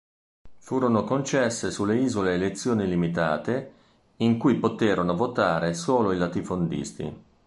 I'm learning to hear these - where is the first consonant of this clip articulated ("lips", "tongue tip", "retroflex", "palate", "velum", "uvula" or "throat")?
lips